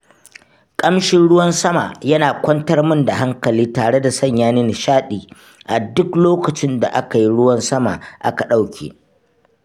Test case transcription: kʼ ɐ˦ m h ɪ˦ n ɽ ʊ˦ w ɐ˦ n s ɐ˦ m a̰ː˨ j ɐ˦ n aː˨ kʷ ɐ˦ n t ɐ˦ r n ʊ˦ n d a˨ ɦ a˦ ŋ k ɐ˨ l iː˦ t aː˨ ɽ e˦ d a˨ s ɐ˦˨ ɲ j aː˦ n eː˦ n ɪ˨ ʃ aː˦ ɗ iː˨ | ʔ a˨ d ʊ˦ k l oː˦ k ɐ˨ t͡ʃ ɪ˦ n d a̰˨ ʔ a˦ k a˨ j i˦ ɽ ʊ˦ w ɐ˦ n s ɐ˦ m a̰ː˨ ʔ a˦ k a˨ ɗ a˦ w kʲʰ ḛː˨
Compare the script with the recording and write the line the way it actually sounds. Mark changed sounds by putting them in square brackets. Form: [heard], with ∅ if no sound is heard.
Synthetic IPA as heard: kʼ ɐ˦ m [ʃ] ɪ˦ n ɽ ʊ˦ w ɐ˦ n s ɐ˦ m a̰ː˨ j ɐ˦ n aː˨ kʷ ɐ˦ n t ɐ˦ r [m] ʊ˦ n d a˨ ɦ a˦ ŋ k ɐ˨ l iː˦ t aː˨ ɽ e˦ d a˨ s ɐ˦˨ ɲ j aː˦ n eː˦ n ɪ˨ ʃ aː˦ ɗ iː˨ | ʔ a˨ d ʊ˦ k l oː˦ k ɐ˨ t͡ʃ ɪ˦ n d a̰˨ ʔ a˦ k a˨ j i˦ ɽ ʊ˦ w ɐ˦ n s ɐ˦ m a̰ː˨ ʔ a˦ k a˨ ɗ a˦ w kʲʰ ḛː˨